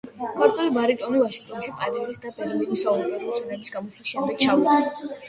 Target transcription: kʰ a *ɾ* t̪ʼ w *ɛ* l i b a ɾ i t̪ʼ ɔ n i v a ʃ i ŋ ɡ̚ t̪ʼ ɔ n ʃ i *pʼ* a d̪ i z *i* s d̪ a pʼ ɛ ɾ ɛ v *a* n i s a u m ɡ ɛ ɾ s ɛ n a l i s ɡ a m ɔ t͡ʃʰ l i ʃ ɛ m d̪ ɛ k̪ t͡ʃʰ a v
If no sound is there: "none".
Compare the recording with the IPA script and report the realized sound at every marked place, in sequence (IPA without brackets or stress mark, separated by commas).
ɾ, ɛ, pʼ, i, i